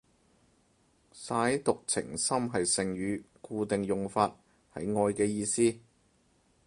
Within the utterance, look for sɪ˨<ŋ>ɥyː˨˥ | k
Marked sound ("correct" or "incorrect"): correct